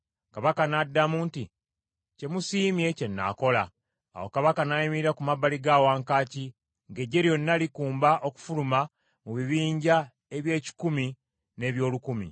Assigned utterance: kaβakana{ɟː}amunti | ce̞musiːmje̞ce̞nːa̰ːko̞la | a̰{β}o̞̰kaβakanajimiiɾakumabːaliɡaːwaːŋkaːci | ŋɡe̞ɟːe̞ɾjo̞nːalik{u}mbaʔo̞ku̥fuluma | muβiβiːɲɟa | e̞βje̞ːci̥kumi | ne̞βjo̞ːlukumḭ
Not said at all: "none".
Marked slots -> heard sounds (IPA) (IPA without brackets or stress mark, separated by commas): dː, w, uː